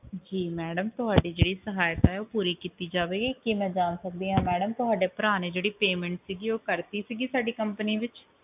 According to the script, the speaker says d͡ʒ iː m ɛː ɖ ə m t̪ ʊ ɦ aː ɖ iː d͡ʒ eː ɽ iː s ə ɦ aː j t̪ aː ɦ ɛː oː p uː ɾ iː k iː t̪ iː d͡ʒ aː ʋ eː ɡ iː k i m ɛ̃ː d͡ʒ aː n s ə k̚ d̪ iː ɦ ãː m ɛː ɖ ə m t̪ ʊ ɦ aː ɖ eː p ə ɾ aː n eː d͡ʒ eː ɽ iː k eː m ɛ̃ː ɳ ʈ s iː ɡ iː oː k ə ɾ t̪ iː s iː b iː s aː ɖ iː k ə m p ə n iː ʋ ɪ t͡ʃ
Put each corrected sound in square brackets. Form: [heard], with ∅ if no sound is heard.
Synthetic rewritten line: d͡ʒ iː m ɛː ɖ ə m t̪ ʊ ɦ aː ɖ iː d͡ʒ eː ɽ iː s ə ɦ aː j t̪ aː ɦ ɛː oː p uː ɾ iː k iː t̪ iː d͡ʒ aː ʋ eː ɡ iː k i m ɛ̃ː d͡ʒ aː n s ə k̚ d̪ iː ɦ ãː m ɛː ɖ ə m t̪ ʊ ɦ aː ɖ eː p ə ɾ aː n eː d͡ʒ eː ɽ iː [p] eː m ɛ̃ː ɳ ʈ s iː ɡ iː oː k ə ɾ t̪ iː s iː [ɡ] iː s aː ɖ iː k ə m p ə n iː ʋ ɪ t͡ʃ

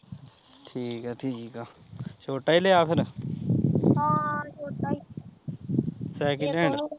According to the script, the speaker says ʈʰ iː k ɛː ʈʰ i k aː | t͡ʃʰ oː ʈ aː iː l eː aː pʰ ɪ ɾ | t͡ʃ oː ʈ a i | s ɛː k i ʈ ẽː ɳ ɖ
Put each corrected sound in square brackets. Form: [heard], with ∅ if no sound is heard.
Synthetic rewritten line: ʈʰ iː k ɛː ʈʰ i k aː | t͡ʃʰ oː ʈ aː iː l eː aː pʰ ɪ ɾ | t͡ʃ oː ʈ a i | s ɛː k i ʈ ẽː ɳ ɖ

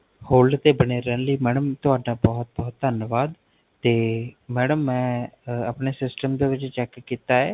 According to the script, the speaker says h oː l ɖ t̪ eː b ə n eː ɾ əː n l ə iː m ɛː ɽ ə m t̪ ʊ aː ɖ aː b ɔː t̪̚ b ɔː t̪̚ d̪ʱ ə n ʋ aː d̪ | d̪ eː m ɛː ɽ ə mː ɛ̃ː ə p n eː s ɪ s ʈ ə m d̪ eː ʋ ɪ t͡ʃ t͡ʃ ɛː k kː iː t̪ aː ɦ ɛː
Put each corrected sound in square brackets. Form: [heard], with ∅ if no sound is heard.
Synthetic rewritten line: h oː l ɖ t̪ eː b ə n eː ɾ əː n l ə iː m ɛː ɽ ə m t̪ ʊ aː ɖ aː b ɔː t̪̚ b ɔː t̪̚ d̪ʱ ə n ʋ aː d̪ | [t̪] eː m ɛː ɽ ə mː ɛ̃ː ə p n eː s ɪ s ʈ ə m d̪ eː ʋ ɪ t͡ʃ t͡ʃ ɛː k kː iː t̪ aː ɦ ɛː

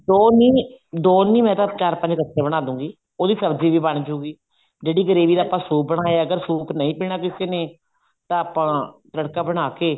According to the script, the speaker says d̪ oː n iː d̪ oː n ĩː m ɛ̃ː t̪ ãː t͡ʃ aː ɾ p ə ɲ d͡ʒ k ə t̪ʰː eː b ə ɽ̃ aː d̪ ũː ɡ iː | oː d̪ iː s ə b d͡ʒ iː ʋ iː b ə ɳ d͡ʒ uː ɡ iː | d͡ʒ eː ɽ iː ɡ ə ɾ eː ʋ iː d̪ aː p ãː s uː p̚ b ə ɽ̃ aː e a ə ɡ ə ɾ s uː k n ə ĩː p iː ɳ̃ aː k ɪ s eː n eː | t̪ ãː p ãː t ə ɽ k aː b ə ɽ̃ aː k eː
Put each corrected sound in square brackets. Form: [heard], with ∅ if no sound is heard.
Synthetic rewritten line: d̪ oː n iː d̪ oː n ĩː m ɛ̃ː t̪ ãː t͡ʃ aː ɾ p ə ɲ d͡ʒ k ə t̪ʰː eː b ə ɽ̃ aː d̪ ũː ɡ iː | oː d̪ iː s ə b d͡ʒ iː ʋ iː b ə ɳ d͡ʒ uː ɡ iː | d͡ʒ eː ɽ iː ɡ ə ɾ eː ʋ iː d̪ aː p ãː s uː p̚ b ə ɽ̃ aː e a ə ɡ ə ɾ s uː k n ə ĩː p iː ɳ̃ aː k ɪ s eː n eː | t̪ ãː p ãː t ə ɽ k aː b ə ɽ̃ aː k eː

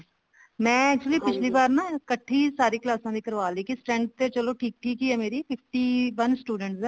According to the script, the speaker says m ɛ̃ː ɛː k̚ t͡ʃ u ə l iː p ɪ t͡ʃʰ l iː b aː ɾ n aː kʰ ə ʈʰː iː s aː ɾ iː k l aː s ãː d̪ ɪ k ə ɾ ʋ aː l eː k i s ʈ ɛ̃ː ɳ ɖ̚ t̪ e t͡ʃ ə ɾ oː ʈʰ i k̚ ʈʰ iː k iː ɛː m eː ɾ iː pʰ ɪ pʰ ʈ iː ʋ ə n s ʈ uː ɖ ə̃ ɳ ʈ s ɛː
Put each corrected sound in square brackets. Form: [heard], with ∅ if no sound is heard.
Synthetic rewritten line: m ɛ̃ː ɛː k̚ t͡ʃ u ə l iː p ɪ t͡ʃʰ l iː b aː ɾ n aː [k] ə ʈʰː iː s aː ɾ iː k l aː s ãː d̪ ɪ k ə ɾ ʋ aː l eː k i s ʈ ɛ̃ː ɳ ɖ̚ t̪ e t͡ʃ ə [l] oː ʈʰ [iː] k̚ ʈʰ iː k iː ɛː m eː ɾ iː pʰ ɪ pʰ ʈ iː ʋ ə n s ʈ uː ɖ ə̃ ɳ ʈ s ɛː

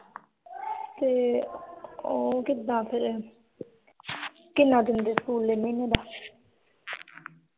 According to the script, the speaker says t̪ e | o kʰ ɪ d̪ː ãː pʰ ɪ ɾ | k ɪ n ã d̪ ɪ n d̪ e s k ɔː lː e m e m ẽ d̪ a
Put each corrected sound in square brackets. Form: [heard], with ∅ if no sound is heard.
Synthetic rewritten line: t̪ e | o [k] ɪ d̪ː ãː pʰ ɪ ɾ | k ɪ n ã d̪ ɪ n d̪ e s k [uː] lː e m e [n] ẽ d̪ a

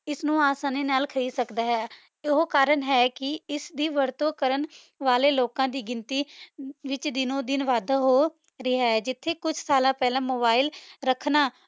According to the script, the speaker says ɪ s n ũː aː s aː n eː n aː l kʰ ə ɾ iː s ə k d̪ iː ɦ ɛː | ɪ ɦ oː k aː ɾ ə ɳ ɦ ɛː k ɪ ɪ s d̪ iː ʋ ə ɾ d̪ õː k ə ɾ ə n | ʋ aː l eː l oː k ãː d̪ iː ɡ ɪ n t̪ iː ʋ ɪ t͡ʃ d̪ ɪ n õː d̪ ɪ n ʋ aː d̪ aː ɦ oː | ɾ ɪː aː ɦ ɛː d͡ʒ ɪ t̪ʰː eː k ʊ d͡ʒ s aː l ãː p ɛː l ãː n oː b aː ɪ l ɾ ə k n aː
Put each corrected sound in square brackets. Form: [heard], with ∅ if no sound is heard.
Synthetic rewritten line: ɪ s n ũː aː s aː n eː n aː l kʰ ə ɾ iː s ə k d̪ [aː] ɦ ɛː | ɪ ɦ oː k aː ɾ ə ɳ ɦ ɛː k ɪ ɪ s d̪ iː ʋ ə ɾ [t̪] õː k ə ɾ ə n | ʋ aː l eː l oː k ãː d̪ iː ɡ ɪ n t̪ iː ʋ ɪ t͡ʃ d̪ ɪ n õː d̪ ɪ n ʋ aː d̪ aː ɦ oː | ɾ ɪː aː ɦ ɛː d͡ʒ ɪ t̪ʰː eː k ʊ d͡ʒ s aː l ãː p ɛː l ãː [m] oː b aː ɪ l ɾ ə [kʰ] n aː

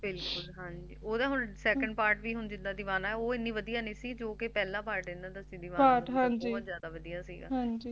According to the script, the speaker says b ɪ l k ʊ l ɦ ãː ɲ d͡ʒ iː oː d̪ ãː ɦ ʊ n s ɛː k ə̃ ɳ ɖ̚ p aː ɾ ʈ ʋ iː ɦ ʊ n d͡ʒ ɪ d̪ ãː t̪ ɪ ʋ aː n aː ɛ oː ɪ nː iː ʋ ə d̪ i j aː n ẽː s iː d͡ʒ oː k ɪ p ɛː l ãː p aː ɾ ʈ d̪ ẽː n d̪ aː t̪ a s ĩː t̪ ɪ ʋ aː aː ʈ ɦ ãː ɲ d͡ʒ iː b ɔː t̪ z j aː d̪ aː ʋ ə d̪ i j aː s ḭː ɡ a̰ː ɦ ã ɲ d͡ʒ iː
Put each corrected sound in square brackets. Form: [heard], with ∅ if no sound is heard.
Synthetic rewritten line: b ɪ l k ʊ l ɦ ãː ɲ d͡ʒ iː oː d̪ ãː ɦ ʊ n s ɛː k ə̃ ɳ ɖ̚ p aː ɾ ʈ ʋ iː ɦ ʊ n d͡ʒ ɪ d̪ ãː [d̪] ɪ ʋ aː n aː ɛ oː ɪ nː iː ʋ ə d̪ i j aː n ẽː s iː d͡ʒ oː k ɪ p ɛː l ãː p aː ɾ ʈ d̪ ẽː n d̪ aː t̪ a s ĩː [d̪] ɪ ʋ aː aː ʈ ɦ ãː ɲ d͡ʒ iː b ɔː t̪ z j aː d̪ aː ʋ ə d̪ i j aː s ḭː ɡ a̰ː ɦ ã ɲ d͡ʒ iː

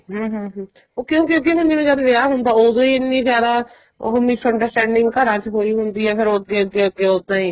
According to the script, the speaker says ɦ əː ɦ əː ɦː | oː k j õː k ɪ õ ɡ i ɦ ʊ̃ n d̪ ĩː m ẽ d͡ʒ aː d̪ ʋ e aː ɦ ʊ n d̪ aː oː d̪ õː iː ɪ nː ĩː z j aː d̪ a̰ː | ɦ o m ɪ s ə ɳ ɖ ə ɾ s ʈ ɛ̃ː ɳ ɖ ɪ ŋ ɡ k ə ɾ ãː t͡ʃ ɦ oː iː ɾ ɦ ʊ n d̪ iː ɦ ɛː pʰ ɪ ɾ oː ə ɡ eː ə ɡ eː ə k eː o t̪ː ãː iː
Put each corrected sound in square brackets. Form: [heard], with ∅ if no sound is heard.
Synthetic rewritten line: ɦ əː ɦ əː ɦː | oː k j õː k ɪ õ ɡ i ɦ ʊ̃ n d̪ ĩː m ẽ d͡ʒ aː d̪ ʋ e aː ɦ ʊ n d̪ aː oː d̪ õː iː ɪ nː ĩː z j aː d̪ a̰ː | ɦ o m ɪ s ə ɳ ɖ ə ɾ s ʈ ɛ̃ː ɳ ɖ ɪ ŋ ɡ k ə ɾ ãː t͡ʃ ɦ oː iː [∅] ɦ ʊ n d̪ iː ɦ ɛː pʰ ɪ ɾ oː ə ɡ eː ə ɡ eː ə [ɡ] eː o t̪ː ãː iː

